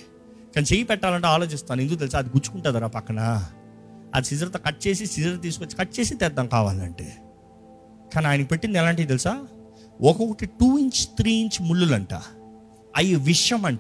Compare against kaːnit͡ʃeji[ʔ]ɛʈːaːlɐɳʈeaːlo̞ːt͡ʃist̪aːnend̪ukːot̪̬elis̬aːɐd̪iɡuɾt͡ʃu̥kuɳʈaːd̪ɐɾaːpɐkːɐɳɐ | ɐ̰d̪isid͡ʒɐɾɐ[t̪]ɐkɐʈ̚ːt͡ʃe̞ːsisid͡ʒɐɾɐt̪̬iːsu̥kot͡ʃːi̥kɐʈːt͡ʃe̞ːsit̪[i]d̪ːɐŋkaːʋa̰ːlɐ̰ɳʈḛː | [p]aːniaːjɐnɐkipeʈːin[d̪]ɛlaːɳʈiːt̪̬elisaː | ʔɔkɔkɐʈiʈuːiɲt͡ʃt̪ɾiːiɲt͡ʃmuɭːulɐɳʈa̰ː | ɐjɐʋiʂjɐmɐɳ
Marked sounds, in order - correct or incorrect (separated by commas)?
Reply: incorrect, correct, incorrect, incorrect, correct